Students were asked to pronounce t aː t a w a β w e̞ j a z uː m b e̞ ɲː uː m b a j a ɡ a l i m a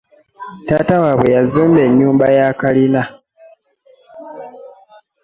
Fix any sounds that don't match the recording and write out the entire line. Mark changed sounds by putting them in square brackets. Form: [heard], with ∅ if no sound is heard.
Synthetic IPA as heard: t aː t a w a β w e̞ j a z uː m b e̞ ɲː uː m b a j a [k] a l i [n] a